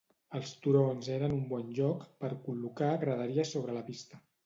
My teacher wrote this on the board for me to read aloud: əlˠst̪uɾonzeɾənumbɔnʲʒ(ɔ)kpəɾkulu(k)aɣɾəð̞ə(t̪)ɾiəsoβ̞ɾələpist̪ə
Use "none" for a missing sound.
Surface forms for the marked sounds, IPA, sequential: ɔ, k, none

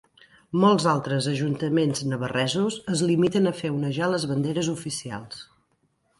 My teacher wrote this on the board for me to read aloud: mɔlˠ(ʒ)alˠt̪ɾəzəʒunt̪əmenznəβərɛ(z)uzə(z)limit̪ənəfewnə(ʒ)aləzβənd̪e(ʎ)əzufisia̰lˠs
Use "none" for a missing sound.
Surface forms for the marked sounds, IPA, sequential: z, z, z, ʒ, ɾ

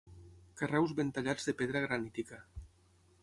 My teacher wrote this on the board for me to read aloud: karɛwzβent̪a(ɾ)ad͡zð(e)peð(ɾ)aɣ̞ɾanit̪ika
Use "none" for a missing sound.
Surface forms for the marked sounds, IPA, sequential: ʎ, e, ɾ

